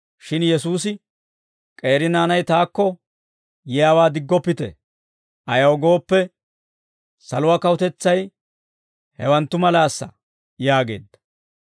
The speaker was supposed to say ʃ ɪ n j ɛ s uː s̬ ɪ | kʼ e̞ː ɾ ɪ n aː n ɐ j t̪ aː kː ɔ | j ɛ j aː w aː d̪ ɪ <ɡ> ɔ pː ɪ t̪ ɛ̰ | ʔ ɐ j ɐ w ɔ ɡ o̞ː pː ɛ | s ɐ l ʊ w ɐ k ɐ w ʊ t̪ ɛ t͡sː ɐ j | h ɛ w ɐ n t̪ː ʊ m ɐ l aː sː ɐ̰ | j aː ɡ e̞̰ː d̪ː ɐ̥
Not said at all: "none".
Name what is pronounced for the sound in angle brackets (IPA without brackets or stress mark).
ɡː